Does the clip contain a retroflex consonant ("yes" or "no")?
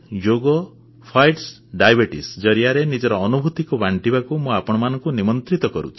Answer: yes